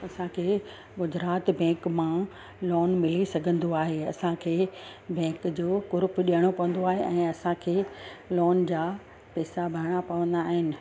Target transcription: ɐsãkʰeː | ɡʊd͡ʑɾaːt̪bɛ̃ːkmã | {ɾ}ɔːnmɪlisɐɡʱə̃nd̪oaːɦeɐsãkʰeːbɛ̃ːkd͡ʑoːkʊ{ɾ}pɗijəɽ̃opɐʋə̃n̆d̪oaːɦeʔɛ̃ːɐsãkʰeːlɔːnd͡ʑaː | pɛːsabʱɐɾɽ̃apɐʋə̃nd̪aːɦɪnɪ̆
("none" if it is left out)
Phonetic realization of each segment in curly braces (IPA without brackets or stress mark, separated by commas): l, ɾ